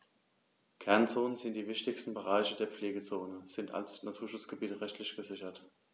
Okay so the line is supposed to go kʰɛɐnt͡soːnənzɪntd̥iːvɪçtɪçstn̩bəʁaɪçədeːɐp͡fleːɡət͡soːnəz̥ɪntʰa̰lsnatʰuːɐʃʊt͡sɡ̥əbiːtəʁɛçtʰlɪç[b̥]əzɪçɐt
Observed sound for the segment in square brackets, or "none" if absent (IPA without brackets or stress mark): ɡ̥